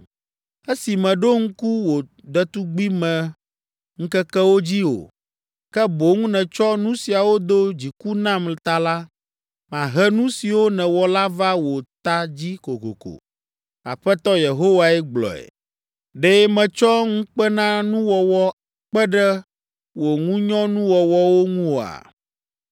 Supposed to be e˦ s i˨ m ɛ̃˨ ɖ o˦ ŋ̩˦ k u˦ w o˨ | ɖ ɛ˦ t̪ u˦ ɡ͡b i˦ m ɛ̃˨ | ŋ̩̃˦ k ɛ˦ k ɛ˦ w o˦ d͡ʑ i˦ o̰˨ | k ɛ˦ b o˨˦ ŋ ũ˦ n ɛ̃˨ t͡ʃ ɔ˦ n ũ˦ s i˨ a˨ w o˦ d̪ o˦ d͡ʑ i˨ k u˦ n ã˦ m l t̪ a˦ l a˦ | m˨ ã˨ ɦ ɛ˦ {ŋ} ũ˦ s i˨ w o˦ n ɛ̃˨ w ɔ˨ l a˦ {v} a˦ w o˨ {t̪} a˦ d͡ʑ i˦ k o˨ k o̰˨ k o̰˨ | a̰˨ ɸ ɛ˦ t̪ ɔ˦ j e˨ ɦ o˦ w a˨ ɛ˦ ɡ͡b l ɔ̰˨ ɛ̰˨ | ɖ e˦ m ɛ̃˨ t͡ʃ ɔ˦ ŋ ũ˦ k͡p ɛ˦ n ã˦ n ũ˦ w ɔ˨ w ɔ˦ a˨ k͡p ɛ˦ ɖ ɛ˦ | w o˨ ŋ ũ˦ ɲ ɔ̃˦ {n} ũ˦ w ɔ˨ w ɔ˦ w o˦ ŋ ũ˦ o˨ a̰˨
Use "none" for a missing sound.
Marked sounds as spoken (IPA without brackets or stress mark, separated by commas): n, v, t̪, n